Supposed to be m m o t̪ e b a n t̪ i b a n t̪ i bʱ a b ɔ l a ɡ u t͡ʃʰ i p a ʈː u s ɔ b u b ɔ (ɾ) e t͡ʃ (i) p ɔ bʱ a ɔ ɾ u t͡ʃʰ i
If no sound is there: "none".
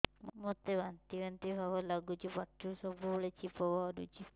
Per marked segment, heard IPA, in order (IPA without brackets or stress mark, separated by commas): ɭ, i